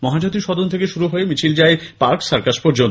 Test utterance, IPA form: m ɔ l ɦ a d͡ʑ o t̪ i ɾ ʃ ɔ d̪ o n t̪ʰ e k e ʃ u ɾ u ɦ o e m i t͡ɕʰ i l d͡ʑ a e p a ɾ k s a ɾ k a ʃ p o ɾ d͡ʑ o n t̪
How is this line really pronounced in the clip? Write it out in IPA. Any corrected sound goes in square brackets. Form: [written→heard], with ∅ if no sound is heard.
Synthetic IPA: m ɔ [l→∅] ɦ a d͡ʑ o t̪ i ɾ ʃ ɔ d̪ o n t̪ʰ e k e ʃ u ɾ u ɦ o e m i t͡ɕʰ i l d͡ʑ a e p a ɾ k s a ɾ k a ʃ p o ɾ d͡ʑ o n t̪